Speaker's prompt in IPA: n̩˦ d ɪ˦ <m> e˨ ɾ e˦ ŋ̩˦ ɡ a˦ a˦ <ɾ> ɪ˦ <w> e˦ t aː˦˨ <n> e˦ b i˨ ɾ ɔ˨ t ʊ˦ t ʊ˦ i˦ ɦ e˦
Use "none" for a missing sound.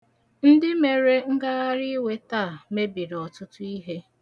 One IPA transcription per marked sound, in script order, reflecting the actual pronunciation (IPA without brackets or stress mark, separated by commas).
m, ɾ, w, m